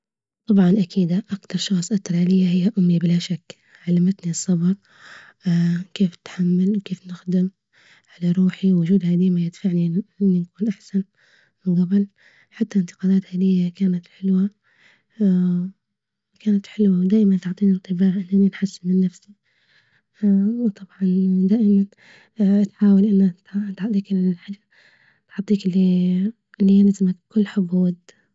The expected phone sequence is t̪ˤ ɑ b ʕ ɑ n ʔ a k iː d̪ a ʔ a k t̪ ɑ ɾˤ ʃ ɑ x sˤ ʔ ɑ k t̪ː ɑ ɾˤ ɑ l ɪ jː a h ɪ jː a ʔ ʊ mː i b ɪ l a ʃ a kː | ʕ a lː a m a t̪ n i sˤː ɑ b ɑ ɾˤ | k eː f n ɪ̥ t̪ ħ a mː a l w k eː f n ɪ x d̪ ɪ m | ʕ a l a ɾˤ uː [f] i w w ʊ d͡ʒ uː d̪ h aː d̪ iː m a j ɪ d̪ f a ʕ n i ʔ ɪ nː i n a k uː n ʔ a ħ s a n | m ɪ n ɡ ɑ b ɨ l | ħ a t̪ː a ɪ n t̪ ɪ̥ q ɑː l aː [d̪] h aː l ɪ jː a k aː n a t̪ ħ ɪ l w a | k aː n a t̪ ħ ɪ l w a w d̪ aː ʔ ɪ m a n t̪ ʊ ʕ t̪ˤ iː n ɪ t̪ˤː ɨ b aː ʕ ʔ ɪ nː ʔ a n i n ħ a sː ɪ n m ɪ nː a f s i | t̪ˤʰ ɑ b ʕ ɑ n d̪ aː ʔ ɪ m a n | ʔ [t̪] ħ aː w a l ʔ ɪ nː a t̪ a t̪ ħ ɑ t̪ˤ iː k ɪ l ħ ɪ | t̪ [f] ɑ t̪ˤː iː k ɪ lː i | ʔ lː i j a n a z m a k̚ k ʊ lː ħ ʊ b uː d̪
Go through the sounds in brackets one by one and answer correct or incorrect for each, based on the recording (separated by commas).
incorrect, incorrect, correct, incorrect